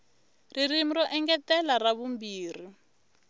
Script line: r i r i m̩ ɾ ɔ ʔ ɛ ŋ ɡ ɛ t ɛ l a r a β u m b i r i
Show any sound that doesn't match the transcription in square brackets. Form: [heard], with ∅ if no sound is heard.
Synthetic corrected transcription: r i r i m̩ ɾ ɔ ʔ ɛ ŋ ɡ ɛ t ɛ l a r a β u m b [iː] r i